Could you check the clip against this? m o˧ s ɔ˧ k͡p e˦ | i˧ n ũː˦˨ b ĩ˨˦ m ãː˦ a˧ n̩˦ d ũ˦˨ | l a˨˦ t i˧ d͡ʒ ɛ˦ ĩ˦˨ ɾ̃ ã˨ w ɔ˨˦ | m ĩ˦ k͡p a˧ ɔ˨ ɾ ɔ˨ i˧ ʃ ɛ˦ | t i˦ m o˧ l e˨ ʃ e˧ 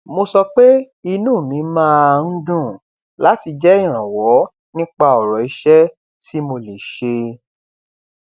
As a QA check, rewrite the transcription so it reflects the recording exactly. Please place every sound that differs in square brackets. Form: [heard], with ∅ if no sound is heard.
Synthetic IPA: m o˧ s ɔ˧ k͡p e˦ | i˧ n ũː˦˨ [m] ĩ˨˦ m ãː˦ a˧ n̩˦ d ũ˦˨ | l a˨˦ t i˧ d͡ʒ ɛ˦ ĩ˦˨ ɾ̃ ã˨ w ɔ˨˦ | [n] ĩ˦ k͡p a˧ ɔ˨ ɾ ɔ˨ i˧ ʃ ɛ˦ | t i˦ m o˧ l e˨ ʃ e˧